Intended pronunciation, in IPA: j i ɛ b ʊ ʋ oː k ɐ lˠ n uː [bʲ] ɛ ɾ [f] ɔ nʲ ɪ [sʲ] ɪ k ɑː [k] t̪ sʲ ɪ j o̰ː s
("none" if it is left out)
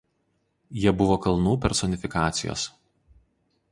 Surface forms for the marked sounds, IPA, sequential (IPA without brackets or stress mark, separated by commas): pʲ, s, fʲ, none